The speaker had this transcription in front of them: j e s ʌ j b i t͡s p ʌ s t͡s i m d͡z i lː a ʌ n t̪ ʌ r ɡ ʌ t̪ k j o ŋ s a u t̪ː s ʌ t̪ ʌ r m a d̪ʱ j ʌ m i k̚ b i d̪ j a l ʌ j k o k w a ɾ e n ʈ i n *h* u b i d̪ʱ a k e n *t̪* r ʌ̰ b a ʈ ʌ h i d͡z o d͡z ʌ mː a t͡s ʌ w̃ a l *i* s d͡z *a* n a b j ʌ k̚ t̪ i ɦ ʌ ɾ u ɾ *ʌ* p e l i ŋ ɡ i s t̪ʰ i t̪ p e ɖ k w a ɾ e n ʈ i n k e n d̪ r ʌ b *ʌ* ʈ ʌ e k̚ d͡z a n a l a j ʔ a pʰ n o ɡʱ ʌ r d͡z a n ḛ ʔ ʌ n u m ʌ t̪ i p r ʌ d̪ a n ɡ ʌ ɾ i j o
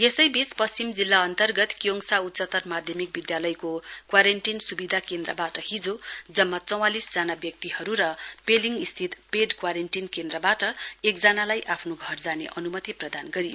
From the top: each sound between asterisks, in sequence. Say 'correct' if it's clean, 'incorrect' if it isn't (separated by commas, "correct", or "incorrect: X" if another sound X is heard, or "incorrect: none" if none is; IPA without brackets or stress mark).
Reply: incorrect: s, incorrect: d̪, correct, correct, correct, incorrect: a